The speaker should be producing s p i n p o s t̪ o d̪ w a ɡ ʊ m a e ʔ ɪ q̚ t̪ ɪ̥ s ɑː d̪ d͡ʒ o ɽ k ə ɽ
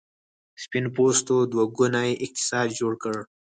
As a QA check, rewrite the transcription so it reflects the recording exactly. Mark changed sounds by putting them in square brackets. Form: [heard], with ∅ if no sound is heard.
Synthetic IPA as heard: s p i n p o s t̪ o d̪ w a ɡ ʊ [n] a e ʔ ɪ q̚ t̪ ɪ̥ s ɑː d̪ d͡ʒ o ɽ k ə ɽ